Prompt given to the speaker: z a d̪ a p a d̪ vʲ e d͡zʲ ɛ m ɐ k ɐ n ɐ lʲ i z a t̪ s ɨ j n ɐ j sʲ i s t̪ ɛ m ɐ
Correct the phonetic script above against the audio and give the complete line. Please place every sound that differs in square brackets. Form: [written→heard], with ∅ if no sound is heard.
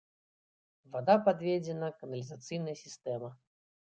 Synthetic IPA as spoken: [z→v] a d̪ a p a d̪ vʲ e d͡zʲ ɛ [m→n] ɐ k ɐ n ɐ lʲ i z a t̪ s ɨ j n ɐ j sʲ i s t̪ ɛ m ɐ

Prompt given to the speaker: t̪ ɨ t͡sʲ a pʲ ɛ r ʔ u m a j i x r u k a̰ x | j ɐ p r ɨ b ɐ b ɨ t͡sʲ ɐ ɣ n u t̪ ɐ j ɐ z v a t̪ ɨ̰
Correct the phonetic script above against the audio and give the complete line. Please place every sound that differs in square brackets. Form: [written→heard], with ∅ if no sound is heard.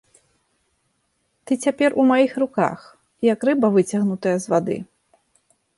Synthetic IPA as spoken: t̪ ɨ t͡sʲ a pʲ ɛ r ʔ u m a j i x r u k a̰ x | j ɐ [p→k] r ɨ b ɐ [b→v] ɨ t͡sʲ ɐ ɣ n u t̪ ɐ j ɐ z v a [t̪→d̪] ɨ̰

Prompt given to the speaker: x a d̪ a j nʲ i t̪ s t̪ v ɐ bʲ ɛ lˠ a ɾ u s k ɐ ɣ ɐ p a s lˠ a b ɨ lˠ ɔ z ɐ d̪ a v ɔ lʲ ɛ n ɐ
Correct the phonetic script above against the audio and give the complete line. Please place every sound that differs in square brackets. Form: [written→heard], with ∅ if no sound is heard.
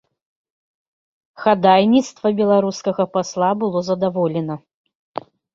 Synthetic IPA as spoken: x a d̪ a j nʲ i t̪ s t̪ v ɐ bʲ ɛ lˠ a ɾ u s k ɐ ɣ ɐ p a s lˠ a b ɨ lˠ ɔ z ɐ d̪ a v ɔ lʲ ɛ n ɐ

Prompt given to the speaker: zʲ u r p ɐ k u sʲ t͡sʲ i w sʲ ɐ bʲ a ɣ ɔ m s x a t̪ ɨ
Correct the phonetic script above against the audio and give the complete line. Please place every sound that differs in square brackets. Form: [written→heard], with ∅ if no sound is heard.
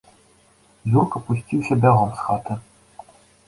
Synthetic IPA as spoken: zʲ u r [p→k] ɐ [k→p] u sʲ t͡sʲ i w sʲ ɐ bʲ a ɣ ɔ m s x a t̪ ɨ

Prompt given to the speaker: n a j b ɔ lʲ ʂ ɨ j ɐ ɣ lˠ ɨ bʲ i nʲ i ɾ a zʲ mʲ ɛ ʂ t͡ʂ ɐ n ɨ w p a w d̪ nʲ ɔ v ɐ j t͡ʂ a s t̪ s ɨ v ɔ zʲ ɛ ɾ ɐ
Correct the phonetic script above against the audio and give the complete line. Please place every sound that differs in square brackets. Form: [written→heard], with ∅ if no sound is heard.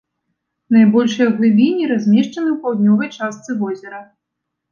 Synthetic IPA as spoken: n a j b ɔ lʲ ʂ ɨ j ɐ ɣ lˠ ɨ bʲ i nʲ i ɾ a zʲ mʲ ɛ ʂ t͡ʂ ɐ n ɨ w p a w d̪ nʲ ɔ v ɐ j t͡ʂ a s t̪ s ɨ v ɔ zʲ ɛ ɾ ɐ

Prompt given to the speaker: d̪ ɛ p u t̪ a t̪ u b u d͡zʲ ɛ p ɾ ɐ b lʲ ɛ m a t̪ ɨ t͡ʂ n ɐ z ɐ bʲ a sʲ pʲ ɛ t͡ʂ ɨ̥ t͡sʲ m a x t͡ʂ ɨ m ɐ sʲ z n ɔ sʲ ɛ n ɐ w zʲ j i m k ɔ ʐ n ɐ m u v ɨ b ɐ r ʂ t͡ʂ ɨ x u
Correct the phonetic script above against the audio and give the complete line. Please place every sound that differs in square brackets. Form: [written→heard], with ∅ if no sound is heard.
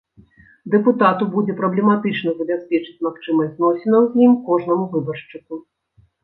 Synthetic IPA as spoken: d̪ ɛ p u t̪ a t̪ u b u d͡zʲ ɛ p ɾ ɐ b lʲ ɛ m a t̪ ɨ t͡ʂ n ɐ z ɐ bʲ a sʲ pʲ ɛ t͡ʂ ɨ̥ t͡sʲ m a x t͡ʂ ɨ m ɐ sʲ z n ɔ sʲ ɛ n ɐ w zʲ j i m k ɔ ʐ n ɐ m u v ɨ b ɐ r ʂ t͡ʂ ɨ [x→k] u

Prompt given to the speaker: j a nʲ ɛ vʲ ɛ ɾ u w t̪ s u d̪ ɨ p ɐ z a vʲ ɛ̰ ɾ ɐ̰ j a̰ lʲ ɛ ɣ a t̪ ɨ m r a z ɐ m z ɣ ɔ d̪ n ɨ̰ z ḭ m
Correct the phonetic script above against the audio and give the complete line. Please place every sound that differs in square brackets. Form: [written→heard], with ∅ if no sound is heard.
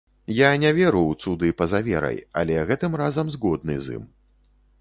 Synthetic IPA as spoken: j a nʲ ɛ vʲ ɛ ɾ u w t̪ s u d̪ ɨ p ɐ z a vʲ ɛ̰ ɾ ɐ̰ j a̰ lʲ ɛ ɣ [a→ɛ] t̪ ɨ m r a z ɐ m z ɣ ɔ d̪ n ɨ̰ z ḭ m

